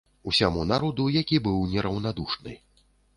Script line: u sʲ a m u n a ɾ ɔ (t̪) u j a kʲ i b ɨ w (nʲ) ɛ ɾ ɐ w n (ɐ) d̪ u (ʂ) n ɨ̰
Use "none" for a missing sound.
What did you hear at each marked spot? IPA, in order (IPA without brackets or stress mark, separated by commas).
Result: d̪, nʲ, a, ʂ